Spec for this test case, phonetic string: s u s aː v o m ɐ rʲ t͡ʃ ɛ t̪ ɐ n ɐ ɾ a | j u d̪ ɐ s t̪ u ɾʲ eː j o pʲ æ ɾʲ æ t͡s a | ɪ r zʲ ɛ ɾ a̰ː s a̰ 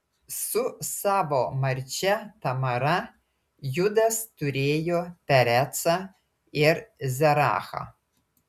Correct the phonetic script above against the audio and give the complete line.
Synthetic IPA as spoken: s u s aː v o m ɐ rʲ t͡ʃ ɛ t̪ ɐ m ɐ ɾ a | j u d̪ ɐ s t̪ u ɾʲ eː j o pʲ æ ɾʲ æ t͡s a | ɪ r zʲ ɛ ɾ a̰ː x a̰